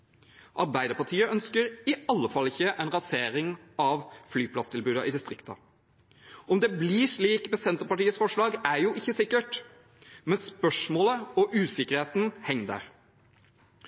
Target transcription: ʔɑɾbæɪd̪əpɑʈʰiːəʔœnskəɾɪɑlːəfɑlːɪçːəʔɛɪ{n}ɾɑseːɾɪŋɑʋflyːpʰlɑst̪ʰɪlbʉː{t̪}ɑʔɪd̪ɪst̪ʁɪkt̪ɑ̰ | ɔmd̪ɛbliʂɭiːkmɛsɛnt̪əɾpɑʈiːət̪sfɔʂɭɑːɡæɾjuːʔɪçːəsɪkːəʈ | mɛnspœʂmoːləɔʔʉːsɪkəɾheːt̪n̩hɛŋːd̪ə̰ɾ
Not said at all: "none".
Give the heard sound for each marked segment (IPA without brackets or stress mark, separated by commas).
n, d̪